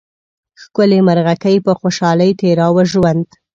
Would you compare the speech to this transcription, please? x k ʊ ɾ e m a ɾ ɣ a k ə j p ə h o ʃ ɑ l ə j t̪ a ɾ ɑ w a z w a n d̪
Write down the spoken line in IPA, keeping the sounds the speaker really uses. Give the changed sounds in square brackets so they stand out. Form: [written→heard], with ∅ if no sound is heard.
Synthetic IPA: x k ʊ [ɾ→l] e m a ɾ ɣ a k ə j p ə [h→x] o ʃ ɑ l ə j t̪ [a→e] ɾ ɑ w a [z→ʒ] w a n d̪